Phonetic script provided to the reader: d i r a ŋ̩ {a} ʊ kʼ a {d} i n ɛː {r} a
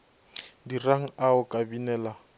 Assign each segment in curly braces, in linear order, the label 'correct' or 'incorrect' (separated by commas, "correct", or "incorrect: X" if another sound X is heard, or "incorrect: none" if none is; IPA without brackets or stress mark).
correct, incorrect: b, incorrect: l